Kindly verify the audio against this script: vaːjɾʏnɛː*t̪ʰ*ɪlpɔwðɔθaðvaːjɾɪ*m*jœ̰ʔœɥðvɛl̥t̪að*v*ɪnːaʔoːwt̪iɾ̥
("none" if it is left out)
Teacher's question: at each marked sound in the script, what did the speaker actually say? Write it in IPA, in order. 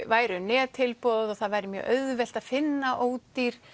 t̪ʰ, m, f

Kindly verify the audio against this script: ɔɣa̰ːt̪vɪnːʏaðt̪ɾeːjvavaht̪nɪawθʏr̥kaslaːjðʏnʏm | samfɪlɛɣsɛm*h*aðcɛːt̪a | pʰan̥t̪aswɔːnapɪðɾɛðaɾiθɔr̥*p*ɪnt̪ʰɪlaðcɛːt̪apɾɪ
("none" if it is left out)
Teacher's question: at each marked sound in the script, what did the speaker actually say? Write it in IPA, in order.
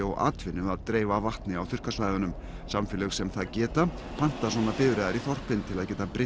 θ, p

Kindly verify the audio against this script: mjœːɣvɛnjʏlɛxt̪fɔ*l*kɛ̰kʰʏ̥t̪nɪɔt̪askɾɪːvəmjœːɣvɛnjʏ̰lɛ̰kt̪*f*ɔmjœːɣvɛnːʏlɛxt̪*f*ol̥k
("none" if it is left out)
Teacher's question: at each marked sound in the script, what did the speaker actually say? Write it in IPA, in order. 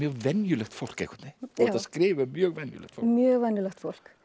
l, f, f

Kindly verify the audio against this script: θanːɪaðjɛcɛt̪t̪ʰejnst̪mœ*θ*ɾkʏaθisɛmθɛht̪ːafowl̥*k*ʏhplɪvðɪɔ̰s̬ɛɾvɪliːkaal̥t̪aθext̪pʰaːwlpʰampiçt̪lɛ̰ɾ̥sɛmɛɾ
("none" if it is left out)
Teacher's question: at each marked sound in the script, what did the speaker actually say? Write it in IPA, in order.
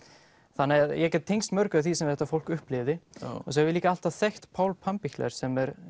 none, k

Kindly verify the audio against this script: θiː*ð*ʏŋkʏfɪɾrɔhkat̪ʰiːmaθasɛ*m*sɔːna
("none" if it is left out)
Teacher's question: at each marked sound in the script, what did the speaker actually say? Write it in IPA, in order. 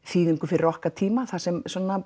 ð, m

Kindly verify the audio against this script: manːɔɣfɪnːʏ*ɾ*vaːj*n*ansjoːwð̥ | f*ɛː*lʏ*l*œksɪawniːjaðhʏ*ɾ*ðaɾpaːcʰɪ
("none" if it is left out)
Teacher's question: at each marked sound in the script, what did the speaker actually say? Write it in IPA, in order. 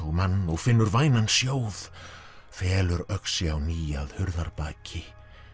ɾ, n, ɛː, ɾ, ɾ

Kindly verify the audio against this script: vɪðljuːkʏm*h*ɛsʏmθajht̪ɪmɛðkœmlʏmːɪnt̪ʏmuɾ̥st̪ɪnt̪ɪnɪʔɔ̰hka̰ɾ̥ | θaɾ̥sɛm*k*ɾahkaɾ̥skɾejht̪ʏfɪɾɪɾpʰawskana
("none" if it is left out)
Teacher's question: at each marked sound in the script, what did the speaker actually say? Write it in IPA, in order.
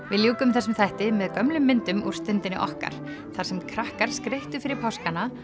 θ, kʰ

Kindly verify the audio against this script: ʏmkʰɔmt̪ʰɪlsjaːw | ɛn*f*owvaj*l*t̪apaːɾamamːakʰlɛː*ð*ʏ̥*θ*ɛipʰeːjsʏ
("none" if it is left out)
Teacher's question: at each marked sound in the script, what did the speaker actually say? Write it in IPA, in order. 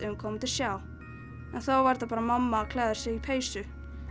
θ, ɾ, ð, s

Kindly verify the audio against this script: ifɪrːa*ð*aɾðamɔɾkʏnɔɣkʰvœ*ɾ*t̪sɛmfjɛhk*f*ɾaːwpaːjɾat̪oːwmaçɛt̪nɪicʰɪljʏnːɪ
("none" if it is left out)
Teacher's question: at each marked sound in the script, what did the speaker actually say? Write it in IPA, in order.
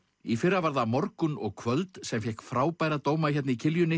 v, l, f

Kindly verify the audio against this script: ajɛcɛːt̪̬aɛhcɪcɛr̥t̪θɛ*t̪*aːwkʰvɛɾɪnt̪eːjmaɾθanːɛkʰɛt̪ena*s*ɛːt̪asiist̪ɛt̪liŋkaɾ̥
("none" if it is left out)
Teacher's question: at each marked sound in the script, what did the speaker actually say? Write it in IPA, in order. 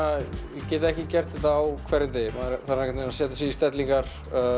t̪, s

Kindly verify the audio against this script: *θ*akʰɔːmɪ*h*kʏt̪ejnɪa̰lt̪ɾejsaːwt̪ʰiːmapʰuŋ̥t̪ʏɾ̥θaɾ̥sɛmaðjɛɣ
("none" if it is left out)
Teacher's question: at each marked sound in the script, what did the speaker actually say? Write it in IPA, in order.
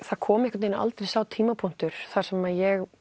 θ, h

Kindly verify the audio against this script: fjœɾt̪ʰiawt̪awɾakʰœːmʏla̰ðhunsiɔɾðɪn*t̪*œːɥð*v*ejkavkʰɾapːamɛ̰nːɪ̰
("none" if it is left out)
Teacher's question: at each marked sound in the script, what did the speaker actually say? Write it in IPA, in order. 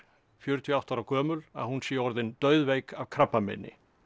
t̪, v

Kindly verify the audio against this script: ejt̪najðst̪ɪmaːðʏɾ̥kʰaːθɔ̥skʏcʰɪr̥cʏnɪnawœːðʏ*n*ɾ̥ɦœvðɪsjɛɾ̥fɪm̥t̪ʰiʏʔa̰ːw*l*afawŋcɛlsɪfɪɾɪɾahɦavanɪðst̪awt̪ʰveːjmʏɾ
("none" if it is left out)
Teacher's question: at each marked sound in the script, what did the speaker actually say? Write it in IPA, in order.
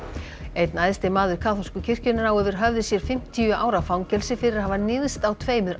none, ɾ

